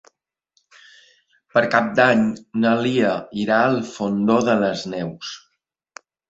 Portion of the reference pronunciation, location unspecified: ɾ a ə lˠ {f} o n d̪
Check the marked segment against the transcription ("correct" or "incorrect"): correct